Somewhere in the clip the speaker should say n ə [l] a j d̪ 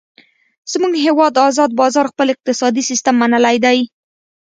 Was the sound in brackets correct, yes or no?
yes